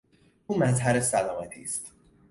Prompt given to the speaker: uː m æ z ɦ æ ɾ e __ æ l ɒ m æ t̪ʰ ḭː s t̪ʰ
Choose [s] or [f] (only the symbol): s